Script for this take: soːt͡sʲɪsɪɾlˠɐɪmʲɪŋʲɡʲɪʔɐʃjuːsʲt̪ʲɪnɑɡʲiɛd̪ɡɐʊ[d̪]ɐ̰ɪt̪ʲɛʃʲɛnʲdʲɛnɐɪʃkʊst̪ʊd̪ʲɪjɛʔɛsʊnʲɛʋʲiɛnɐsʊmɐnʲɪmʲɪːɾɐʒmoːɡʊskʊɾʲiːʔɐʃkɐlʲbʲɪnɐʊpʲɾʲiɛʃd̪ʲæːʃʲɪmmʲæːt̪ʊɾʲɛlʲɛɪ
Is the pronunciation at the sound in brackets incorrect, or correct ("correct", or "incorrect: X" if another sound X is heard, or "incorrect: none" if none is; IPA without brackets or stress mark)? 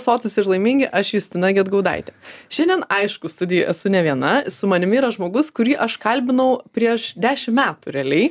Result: correct